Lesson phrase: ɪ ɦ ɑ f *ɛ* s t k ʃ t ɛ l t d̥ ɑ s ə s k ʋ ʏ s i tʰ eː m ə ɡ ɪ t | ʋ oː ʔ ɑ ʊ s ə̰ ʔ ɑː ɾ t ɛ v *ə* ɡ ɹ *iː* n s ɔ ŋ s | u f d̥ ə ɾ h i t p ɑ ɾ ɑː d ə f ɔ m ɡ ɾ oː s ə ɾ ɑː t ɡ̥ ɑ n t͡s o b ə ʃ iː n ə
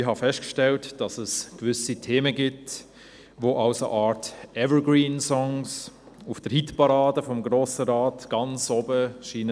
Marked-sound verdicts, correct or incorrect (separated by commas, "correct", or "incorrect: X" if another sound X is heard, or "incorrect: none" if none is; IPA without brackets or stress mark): correct, correct, correct